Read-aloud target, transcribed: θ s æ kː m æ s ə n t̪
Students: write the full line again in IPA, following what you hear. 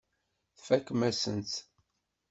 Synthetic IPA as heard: θ f æ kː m æ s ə n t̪